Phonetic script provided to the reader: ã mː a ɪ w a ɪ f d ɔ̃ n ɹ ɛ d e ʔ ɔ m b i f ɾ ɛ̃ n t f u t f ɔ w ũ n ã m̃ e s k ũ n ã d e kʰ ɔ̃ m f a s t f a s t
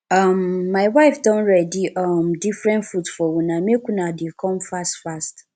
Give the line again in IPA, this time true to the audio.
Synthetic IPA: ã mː a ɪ w a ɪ f d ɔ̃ n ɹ ɛ d i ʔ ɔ m d i f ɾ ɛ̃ n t f u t f ɔ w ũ n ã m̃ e k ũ n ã d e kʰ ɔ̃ m f a s t f a s t